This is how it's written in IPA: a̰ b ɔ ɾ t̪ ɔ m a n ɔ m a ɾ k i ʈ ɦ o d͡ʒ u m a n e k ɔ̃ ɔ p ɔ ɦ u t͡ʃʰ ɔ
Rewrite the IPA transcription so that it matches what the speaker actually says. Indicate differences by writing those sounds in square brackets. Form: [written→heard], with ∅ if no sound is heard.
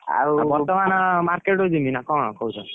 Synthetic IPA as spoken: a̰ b ɔ ɾ t̪ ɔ m a n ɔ m a ɾ k [i→e] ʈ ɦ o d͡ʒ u m [a→i] n [e→a] k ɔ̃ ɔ [p→k] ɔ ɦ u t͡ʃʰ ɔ